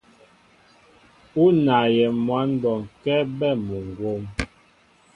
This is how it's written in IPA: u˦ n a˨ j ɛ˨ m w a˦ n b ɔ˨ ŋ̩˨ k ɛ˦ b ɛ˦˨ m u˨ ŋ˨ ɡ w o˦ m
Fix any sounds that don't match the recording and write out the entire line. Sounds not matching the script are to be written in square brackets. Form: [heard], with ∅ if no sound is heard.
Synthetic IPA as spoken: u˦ n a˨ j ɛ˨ m w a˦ n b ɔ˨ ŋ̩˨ k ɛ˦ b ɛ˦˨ m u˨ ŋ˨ ɡ w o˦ m